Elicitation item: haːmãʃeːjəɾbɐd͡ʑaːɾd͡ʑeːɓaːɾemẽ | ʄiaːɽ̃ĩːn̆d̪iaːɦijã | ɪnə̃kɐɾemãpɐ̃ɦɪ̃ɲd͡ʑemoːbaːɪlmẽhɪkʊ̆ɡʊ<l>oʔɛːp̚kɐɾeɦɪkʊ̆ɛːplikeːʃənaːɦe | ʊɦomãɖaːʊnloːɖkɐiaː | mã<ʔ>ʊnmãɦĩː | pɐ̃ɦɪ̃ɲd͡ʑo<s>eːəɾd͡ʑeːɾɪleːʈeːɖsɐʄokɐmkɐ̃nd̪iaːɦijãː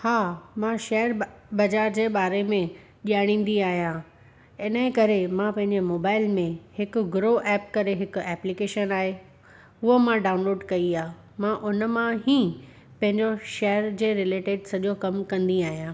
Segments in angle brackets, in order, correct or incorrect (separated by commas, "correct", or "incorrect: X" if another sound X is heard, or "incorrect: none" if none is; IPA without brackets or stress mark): incorrect: ɾ, correct, incorrect: ʃ